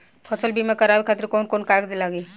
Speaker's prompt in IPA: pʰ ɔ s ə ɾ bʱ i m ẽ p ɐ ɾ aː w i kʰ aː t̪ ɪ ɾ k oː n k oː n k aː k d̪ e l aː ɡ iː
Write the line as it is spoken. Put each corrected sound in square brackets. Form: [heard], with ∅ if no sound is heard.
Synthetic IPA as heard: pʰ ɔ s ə [l] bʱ i m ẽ [k] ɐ ɾ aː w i kʰ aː t̪ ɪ ɾ k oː n k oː n k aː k d̪ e l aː ɡ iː